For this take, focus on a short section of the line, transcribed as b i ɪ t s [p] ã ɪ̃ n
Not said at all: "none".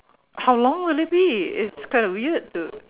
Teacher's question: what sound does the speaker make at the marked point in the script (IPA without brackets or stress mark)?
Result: k